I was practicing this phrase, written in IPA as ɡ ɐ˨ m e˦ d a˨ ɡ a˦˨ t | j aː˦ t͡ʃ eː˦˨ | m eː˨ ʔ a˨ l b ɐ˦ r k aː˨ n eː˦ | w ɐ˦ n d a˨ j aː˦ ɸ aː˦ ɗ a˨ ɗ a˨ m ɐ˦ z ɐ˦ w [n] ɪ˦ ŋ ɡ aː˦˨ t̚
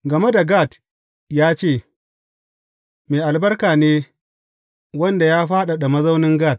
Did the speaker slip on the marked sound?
no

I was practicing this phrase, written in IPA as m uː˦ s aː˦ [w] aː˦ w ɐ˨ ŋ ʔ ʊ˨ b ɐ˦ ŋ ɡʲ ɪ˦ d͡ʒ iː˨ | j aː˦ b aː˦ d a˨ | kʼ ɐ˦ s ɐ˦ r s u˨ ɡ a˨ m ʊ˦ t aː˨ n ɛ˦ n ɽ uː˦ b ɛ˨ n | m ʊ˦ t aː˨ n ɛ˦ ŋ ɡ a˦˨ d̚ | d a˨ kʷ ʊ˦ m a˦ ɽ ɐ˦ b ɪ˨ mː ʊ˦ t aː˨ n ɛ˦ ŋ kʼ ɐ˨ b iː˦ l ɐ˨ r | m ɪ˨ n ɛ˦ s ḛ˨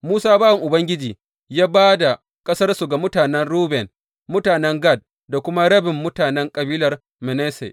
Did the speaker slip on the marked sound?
yes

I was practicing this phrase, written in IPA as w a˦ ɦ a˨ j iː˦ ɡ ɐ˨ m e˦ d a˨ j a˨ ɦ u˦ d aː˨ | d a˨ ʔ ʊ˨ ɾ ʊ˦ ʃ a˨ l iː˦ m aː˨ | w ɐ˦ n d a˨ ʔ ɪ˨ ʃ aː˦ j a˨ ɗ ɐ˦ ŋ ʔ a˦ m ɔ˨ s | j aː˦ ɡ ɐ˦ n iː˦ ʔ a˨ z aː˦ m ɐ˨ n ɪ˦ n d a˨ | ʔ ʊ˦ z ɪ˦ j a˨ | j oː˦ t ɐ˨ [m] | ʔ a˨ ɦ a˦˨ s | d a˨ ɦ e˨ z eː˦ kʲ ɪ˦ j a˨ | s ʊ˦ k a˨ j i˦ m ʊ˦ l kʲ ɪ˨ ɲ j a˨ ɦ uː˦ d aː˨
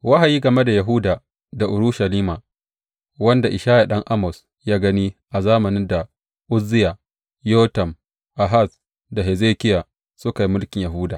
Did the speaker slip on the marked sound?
no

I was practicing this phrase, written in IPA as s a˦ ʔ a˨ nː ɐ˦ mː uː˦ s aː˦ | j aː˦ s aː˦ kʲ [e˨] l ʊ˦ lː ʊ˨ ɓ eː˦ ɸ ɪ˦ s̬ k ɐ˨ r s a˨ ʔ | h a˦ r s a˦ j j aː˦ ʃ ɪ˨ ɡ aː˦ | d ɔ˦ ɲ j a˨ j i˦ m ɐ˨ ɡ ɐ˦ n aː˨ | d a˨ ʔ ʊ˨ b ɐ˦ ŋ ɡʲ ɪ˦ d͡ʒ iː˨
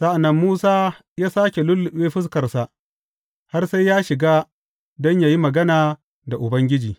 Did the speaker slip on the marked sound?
no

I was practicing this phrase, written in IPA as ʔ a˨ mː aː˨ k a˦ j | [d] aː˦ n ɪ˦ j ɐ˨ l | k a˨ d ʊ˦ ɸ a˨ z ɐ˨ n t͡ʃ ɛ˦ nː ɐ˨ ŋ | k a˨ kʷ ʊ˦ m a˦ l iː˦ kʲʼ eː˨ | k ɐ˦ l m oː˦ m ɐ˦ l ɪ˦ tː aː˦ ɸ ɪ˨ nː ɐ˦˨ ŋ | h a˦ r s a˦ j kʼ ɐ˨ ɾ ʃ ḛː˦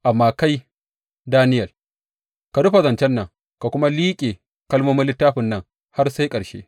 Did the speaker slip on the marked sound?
no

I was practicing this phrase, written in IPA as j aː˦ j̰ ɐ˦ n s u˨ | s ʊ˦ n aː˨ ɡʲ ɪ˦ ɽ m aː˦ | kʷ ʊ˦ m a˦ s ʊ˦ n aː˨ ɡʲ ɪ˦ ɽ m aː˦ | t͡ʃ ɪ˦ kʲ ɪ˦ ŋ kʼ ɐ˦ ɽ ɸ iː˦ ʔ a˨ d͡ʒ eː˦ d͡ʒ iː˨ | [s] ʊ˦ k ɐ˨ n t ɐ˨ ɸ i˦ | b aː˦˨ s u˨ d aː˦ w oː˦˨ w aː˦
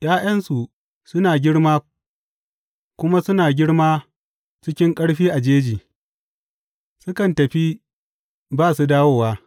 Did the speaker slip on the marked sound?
no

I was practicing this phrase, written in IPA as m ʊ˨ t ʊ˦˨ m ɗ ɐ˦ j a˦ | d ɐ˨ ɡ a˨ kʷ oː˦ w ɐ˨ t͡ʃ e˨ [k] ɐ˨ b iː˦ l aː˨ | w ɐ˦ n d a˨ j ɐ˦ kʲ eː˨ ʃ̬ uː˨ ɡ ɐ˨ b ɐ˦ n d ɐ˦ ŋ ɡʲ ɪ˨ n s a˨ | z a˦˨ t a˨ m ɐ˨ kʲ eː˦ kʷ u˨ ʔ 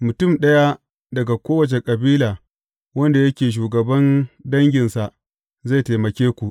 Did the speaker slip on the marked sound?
yes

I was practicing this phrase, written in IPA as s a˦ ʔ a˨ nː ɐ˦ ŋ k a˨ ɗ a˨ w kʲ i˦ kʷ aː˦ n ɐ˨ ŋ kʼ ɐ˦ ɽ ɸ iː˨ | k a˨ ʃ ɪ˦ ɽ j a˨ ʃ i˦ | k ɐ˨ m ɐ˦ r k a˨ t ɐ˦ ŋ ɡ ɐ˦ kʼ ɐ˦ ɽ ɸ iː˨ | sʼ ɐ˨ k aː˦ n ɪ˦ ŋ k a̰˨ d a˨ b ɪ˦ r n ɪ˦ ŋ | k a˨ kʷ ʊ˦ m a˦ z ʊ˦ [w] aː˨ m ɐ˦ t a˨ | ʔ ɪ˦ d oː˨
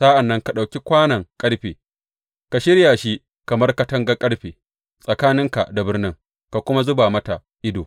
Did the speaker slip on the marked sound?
yes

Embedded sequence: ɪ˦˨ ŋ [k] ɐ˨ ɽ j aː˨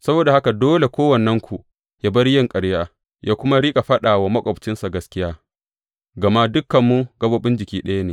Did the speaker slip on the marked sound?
yes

